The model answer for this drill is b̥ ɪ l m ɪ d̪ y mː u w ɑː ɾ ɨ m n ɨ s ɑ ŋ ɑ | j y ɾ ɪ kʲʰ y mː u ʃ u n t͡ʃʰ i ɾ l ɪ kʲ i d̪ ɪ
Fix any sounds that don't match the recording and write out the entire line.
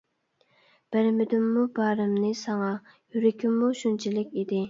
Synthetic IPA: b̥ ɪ ɾ m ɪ d̪ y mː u b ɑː ɾ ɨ m n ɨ s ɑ ŋ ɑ | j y ɾ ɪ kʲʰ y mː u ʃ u n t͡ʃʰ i l ɪ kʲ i d̪ ɪ